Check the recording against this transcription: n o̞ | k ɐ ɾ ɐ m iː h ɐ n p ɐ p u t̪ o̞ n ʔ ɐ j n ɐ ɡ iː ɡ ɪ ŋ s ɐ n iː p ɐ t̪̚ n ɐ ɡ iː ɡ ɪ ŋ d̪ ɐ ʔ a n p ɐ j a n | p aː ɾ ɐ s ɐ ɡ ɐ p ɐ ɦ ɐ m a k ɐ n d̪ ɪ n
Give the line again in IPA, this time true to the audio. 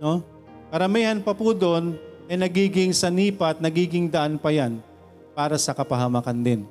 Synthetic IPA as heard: n o̞ | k ɐ ɾ ɐ m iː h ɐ n p ɐ p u d̪ o̞ n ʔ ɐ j n ɐ ɡ iː ɡ ɪ ŋ s ɐ n iː p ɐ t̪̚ n ɐ ɡ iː ɡ ɪ ŋ d̪ ɐ ʔ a n p ɐ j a n | p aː ɾ ɐ s ɐ k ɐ p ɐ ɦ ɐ m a k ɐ n d̪ ɪ n